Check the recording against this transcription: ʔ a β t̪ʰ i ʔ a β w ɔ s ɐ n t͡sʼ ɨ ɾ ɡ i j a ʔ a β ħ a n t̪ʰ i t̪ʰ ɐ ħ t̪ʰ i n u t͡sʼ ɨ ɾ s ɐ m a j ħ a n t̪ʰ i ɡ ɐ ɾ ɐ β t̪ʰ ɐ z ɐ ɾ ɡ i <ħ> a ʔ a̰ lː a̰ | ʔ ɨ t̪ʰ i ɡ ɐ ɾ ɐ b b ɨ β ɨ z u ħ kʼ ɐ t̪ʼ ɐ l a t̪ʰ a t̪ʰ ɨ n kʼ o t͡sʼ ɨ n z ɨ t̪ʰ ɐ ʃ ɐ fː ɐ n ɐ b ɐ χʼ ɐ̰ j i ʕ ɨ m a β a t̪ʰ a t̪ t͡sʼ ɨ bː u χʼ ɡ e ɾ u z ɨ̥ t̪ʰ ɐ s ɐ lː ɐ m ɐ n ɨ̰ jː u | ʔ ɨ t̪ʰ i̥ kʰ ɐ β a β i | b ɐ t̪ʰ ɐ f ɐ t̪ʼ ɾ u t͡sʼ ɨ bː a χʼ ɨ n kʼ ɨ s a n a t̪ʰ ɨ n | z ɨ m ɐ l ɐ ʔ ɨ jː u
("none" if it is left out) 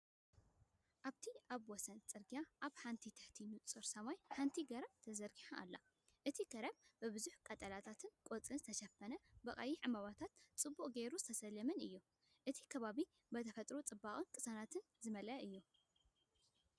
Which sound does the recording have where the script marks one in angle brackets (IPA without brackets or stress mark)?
ħ